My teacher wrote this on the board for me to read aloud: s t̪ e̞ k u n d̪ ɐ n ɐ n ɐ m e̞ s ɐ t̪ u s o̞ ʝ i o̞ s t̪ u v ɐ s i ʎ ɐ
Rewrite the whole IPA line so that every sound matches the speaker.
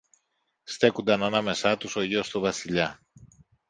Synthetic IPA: s t̪ e̞ k u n d̪ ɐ n ɐ n ɐ m e̞ s ɐ t̪ u s o̞ ʝ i o̞ s t̪ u v ɐ s i ʎ ɐ